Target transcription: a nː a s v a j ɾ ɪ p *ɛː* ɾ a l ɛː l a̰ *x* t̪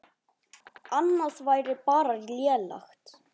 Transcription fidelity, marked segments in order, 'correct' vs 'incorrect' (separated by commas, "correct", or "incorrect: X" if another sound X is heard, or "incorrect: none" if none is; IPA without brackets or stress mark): incorrect: aː, correct